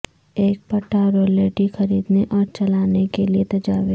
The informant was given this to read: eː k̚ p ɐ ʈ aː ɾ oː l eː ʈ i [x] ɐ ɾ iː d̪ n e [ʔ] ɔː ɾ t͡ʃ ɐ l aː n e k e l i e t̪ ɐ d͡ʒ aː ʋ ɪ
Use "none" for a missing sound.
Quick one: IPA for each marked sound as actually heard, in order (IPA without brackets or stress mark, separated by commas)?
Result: x, ʔ